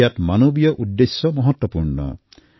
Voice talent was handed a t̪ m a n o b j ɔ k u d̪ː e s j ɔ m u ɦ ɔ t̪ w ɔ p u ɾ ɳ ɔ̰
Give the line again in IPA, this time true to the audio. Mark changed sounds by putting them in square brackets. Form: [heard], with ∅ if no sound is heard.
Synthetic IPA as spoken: a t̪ m a n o b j ɔ [ʔ] u d̪ː e s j ɔ m [ɔ] ɦ ɔ t̪ w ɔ p u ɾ ɳ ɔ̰